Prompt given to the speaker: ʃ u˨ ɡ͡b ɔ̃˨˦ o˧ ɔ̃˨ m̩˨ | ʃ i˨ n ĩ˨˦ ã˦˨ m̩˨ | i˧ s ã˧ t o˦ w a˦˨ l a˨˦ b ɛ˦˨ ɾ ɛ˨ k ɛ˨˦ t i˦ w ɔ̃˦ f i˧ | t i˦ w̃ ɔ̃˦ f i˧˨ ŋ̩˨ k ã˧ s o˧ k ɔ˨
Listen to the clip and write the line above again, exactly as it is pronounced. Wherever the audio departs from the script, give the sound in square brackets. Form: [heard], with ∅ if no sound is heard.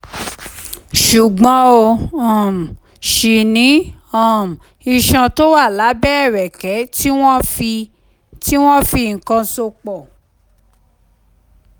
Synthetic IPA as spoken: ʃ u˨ ɡ͡b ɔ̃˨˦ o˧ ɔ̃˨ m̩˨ | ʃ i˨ n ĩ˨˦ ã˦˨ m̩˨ | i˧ [ʃ] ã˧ t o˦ w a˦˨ l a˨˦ b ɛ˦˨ ɾ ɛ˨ k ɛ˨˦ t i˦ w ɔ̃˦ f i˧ | t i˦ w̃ ɔ̃˦ f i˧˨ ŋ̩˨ k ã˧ s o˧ [k͡p] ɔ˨